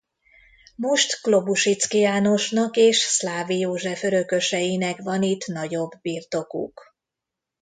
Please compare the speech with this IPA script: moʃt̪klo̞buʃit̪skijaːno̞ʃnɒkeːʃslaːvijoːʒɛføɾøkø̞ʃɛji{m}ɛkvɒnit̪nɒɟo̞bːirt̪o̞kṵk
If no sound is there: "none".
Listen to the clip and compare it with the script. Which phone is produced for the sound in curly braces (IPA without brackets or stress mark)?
n